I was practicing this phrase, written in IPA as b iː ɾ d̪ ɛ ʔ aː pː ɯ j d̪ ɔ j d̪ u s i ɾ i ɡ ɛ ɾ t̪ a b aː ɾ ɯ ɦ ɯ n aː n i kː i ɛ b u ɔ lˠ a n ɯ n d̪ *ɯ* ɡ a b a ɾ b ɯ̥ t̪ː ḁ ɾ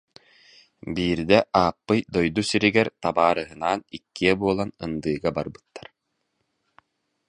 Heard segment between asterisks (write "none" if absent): ɯː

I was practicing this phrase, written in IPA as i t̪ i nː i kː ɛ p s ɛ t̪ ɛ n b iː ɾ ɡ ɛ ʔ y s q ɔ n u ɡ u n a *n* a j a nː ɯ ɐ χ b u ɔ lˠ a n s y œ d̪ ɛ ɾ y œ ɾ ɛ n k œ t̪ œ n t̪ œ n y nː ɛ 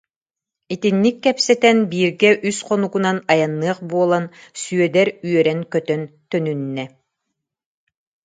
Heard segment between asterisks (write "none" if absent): n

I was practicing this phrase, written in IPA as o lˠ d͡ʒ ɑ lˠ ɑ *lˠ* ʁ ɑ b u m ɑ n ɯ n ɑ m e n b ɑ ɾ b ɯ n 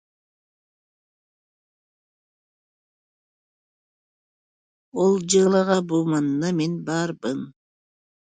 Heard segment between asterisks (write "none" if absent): none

